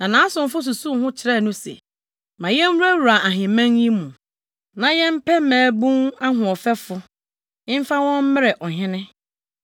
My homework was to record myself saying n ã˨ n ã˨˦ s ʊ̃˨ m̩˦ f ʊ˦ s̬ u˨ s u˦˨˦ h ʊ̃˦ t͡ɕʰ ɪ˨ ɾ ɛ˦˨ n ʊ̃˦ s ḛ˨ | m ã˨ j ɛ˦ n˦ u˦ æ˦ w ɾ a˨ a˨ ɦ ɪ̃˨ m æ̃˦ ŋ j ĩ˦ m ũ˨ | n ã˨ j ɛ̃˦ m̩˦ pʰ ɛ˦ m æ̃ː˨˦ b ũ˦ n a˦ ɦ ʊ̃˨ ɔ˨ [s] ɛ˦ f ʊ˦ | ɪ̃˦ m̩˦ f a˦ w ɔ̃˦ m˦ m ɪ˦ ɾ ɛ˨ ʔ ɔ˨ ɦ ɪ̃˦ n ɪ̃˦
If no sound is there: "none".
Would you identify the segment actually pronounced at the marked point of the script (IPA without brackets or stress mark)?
f